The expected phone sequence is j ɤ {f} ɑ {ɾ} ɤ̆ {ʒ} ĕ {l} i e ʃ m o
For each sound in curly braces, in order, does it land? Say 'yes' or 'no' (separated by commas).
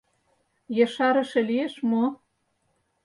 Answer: no, yes, no, yes